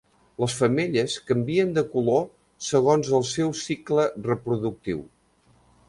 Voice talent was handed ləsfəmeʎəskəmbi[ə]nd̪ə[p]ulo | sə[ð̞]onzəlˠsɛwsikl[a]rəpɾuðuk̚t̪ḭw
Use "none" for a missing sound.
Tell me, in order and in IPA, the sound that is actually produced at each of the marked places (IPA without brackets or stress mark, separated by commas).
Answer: ə, k, ɣ̞, ə